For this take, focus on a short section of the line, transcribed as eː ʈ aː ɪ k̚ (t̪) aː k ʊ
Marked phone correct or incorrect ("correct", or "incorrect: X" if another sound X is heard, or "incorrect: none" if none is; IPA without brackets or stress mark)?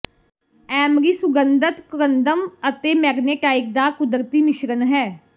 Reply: incorrect: d̪